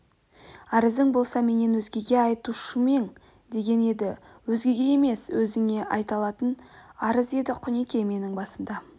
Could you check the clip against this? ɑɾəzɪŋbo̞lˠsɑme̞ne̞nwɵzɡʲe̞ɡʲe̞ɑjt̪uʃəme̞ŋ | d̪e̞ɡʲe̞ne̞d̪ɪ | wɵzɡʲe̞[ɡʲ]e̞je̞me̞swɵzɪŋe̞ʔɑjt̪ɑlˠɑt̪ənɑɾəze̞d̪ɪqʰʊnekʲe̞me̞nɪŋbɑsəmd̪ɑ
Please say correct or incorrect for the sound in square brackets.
correct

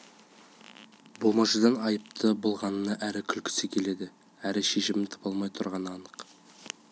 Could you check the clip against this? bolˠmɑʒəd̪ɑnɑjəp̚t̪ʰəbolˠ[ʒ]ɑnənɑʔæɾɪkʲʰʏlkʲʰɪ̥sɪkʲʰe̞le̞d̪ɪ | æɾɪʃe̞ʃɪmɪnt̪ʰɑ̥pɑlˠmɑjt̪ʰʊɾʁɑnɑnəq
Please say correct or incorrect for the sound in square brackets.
incorrect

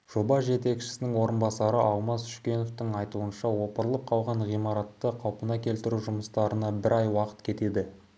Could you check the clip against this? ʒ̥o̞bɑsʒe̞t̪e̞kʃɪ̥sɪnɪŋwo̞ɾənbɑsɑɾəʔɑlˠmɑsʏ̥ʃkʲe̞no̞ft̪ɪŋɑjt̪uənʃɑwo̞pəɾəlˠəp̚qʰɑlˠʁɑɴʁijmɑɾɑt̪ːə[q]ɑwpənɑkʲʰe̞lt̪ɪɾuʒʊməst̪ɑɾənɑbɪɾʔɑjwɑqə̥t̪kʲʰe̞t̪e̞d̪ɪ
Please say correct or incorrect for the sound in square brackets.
incorrect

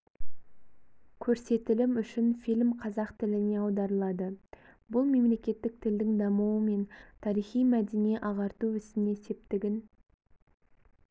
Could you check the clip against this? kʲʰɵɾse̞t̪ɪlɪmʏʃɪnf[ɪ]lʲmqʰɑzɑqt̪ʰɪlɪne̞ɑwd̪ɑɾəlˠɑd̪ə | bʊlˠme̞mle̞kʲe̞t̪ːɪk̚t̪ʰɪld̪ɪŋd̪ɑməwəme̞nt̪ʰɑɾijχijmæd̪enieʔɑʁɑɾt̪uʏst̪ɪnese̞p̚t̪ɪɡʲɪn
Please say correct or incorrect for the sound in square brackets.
incorrect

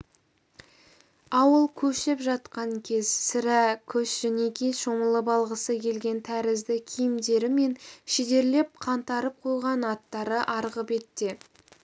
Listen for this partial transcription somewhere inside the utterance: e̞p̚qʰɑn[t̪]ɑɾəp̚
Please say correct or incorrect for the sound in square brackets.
correct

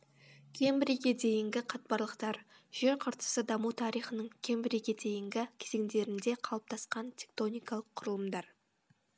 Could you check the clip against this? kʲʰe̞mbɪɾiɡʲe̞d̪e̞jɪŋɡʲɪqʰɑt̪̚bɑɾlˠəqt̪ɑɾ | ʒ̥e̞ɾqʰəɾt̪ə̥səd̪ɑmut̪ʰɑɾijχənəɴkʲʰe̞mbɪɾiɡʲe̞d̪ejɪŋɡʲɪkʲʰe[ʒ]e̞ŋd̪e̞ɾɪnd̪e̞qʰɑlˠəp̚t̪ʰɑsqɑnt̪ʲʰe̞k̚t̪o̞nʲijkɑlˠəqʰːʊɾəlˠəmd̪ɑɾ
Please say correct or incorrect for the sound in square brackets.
incorrect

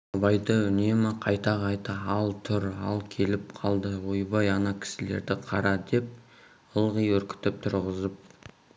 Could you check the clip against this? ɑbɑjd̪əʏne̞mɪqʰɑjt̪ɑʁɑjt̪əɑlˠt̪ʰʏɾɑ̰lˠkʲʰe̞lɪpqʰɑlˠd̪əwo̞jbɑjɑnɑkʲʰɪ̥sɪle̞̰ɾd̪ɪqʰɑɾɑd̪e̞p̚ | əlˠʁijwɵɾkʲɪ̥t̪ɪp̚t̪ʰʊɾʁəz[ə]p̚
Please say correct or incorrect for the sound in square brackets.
correct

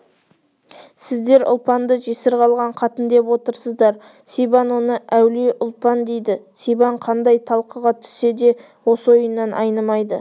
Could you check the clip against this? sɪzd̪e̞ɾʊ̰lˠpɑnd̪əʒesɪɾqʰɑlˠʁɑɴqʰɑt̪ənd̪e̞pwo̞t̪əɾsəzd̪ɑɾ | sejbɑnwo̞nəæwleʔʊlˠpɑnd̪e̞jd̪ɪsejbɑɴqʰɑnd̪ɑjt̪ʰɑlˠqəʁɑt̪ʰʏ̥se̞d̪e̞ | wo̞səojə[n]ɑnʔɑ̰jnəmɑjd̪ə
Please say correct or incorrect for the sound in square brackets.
incorrect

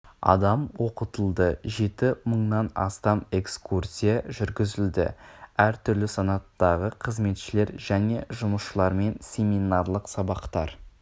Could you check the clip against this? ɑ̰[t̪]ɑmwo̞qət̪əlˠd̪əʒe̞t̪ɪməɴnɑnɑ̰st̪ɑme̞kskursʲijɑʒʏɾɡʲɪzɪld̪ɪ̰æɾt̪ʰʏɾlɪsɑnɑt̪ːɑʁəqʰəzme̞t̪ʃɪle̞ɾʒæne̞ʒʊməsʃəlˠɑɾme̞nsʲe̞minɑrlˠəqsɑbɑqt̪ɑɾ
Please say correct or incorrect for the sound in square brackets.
incorrect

